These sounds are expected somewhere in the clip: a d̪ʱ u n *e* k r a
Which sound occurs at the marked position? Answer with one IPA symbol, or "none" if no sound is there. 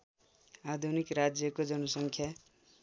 i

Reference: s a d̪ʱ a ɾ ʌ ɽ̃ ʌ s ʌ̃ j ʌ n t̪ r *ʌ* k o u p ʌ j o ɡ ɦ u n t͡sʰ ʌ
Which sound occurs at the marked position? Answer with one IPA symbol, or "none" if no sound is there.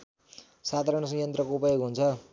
ʌ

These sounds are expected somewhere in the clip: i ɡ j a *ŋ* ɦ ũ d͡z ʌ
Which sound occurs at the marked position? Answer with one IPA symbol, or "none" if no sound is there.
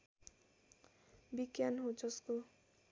n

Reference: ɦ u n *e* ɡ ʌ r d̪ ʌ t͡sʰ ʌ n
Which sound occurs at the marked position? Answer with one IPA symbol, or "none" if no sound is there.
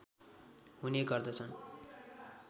e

